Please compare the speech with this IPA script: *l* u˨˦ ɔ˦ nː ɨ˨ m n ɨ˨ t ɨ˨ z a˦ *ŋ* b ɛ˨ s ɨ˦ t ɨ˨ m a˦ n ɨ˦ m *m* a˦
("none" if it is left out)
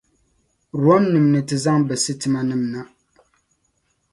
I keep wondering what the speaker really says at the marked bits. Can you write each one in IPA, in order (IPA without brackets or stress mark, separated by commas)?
ɾ, ŋ, n